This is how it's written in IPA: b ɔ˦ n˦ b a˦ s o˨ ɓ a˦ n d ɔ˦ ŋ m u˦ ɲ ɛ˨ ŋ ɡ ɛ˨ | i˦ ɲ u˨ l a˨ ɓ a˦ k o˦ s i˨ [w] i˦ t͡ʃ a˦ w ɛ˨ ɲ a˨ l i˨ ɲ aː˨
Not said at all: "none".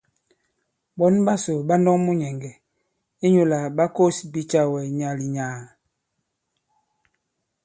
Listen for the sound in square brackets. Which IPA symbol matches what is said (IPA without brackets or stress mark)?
b